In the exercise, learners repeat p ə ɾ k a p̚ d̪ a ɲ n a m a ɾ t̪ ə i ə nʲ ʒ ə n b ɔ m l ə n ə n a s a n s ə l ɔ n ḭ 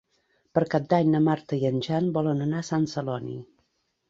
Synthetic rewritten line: p ə ɾ k a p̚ d̪ a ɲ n ə m a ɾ t̪ ə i ə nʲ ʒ a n b ɔ l ə n ə n a s a n s ə l ɔ n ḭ